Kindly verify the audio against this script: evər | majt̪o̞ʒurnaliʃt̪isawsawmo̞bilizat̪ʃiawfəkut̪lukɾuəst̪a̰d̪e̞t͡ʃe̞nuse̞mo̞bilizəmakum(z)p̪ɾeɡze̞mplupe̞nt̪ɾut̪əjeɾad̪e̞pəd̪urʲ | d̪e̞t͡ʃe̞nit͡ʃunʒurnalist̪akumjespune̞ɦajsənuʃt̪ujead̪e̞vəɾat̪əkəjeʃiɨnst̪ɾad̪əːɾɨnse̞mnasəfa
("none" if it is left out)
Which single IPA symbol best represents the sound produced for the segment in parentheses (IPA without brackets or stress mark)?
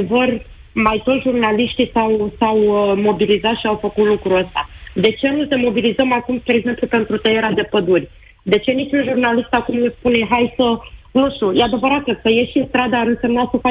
s